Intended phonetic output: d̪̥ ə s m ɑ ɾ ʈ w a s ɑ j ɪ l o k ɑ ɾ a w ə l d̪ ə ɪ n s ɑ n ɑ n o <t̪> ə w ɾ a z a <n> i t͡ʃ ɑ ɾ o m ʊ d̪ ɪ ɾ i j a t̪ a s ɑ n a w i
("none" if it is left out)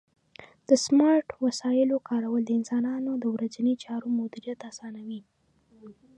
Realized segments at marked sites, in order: d̪, n

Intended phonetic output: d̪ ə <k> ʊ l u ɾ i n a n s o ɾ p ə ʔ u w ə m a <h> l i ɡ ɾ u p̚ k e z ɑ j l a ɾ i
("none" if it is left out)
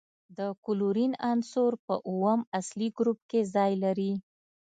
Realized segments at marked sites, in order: k, s

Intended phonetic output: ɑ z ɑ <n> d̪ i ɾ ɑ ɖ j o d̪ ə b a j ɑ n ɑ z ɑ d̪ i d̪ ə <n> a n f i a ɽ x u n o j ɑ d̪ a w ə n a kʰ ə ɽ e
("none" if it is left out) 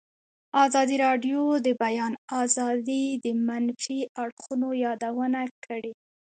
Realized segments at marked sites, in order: none, m

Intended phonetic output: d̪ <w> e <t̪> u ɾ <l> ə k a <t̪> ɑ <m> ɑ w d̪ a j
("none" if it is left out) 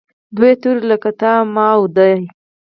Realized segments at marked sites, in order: w, t̪, l, t̪, m

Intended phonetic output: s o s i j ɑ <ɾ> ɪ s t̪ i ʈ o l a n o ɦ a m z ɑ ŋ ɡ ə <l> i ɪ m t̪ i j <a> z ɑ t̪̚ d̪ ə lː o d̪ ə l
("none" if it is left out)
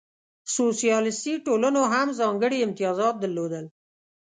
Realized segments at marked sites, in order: l, ɽ, ɑ

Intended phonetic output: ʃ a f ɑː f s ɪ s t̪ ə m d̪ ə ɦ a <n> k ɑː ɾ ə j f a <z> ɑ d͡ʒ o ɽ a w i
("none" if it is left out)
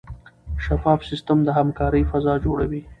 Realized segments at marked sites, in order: m, z

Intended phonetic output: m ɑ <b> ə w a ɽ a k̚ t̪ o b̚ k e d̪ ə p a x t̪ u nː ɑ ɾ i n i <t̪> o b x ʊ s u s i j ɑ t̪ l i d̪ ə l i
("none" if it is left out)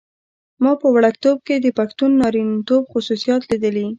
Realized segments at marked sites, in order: p, t̪

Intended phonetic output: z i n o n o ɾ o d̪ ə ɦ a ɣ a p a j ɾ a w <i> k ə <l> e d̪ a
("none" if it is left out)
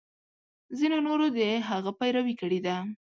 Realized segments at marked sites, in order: i, ɽ

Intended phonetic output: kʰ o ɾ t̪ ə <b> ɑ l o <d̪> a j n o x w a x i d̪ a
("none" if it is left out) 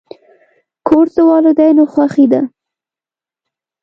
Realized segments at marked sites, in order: w, d̪

